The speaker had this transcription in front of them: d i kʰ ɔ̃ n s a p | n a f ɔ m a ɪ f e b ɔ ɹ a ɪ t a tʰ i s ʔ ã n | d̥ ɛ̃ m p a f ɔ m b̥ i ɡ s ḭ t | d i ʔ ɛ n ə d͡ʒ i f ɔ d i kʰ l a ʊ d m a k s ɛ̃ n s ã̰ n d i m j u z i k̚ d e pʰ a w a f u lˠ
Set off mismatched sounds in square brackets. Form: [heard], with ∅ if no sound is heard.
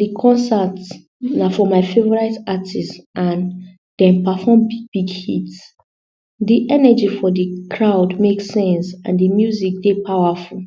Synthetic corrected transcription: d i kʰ ɔ̃ n s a [t] | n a f ɔ m a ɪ f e [v] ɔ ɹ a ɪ t a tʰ i s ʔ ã n | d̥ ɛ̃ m p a f ɔ m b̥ i ɡ [h] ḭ t | d i ʔ ɛ n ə d͡ʒ i f ɔ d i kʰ [ɹ] a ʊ d m [e] k s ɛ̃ n s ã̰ n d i m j u z i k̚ d e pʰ a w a f u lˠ

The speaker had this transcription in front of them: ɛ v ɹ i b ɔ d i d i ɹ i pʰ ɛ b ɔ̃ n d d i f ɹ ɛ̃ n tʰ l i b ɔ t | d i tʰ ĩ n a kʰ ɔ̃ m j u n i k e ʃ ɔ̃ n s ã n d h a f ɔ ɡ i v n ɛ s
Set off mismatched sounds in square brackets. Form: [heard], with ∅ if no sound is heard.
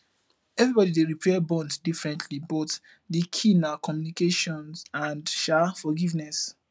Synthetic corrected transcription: ɛ v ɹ i b ɔ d i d [e] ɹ i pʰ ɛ b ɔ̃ n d d i f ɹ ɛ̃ n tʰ l i b ɔ t | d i [kʰ] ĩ n a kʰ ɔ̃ m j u n i k e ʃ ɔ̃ n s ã n d [ʃ] a f ɔ ɡ i v n ɛ s

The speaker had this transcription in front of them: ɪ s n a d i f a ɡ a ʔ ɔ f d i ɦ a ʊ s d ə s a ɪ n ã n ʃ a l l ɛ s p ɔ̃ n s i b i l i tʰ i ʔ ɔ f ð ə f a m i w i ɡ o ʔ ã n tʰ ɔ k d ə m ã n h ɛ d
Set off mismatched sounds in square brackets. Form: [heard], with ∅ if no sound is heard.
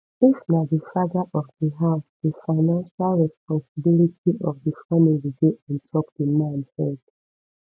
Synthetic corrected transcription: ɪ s n a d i f a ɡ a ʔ ɔ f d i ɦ a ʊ s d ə [f] a ɪ n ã n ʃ a l [ɹ] ɛ s p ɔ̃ n s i b i l i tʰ i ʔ ɔ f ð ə f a m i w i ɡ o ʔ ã n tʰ ɔ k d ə m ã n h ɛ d

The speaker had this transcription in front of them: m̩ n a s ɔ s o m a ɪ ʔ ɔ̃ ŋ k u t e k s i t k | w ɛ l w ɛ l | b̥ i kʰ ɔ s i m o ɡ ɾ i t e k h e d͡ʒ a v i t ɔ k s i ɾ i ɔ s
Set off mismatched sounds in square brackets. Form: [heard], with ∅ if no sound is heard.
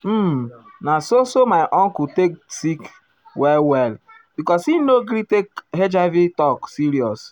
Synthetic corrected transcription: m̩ n a s [o] s o m a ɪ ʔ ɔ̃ ŋ k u t e k s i [∅] k | w ɛ l w ɛ l | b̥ i [k] ɔ s i [n] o ɡ ɾ i t e k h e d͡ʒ a v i t ɔ k s i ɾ i ɔ s

